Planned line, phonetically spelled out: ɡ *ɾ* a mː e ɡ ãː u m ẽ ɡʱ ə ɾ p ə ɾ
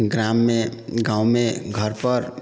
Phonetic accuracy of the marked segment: correct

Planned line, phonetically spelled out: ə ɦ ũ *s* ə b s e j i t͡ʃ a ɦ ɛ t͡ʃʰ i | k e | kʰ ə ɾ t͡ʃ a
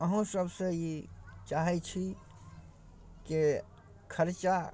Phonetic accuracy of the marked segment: correct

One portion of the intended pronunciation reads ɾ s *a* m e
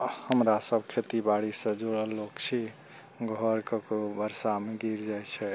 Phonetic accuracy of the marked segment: correct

